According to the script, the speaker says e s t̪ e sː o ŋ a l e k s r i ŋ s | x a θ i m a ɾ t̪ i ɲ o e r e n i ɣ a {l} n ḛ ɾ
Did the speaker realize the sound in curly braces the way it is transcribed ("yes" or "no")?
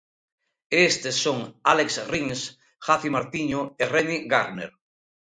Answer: no